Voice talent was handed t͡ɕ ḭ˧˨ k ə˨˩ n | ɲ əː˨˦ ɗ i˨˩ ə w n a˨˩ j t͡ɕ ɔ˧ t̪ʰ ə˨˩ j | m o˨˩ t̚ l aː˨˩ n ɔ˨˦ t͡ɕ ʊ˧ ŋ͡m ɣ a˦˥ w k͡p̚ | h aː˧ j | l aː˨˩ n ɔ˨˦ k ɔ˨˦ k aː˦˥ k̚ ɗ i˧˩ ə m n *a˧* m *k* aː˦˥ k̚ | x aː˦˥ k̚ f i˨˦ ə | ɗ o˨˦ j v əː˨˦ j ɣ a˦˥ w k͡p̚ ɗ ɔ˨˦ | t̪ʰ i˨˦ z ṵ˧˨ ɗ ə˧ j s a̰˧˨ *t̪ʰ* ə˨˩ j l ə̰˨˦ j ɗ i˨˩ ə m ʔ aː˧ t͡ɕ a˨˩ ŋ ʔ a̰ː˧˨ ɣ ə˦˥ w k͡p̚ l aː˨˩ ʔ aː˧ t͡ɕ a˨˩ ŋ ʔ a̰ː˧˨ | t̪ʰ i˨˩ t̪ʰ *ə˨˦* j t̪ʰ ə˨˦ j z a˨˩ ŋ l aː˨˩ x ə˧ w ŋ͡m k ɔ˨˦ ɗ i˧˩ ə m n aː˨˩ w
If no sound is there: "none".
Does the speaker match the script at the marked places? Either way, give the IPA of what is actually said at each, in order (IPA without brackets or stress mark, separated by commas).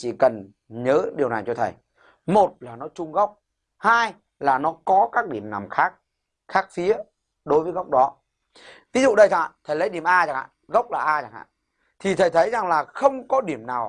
a˨˩, x, t̪ʰ, ə˨˩